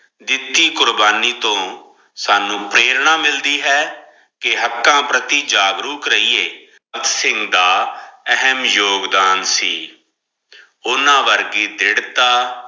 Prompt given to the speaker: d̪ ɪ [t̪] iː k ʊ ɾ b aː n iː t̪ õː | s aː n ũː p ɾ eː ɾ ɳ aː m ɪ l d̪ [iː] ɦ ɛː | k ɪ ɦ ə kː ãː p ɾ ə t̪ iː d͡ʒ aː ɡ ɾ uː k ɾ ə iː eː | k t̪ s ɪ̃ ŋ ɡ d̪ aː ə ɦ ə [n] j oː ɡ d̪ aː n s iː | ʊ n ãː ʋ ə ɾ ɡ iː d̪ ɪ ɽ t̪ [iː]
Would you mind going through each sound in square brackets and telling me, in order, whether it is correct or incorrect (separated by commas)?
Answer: correct, correct, incorrect, incorrect